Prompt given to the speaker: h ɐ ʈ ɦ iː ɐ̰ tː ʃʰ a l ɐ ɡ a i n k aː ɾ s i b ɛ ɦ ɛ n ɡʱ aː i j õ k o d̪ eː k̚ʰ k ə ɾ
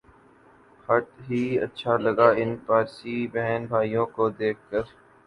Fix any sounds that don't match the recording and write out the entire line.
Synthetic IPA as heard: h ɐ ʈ ɦ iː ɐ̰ tː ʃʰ a l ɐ ɡ a ɪ n p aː ɾ s i b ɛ ɦ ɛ n bʱ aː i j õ k o d̪ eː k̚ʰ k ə ɾ